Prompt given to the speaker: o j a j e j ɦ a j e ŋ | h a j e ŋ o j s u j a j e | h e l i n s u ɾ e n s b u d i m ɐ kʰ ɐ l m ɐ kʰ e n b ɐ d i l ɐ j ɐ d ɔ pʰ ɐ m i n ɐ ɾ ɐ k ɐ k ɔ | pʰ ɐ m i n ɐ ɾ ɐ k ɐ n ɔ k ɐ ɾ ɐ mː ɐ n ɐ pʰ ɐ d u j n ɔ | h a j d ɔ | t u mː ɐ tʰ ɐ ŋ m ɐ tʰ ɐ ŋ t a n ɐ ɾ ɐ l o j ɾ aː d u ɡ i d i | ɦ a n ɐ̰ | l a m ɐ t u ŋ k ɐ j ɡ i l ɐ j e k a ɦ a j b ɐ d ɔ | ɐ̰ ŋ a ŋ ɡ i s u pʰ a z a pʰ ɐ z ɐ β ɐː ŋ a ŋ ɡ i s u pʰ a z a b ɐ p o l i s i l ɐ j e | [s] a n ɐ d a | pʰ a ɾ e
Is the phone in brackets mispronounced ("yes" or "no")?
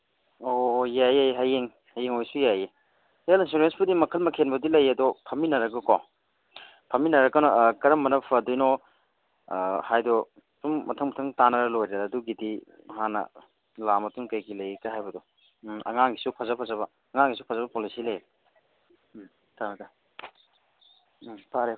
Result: yes